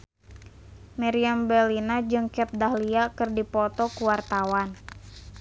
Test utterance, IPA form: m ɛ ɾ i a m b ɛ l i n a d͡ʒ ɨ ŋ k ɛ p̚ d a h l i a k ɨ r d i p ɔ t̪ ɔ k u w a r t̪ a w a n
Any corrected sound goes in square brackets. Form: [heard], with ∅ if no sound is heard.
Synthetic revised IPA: m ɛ ɾ i a m b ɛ l i n a d͡ʒ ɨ ŋ k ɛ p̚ d a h l i a k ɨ r d i p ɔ t̪ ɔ k u w a r t̪ a w a n